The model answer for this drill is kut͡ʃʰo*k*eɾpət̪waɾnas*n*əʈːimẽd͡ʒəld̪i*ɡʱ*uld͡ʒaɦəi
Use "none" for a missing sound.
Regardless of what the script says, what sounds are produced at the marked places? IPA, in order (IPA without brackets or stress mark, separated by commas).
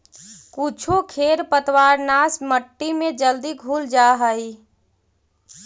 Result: kʰ, m, ɡʱ